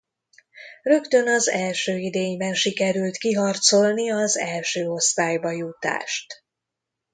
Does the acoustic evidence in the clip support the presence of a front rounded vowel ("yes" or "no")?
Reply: yes